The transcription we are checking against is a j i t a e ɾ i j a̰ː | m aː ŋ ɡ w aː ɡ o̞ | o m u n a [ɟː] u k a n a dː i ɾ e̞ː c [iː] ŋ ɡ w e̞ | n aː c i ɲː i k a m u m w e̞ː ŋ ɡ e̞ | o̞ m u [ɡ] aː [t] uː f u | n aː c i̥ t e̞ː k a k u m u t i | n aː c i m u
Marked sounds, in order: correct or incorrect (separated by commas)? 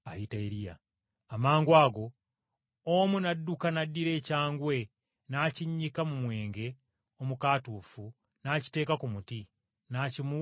incorrect, incorrect, incorrect, correct